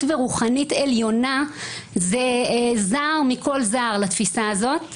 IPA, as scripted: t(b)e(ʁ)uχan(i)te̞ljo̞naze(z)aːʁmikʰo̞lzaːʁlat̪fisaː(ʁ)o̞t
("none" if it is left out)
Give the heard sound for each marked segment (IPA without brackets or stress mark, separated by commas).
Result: v, ʁ, i, z, z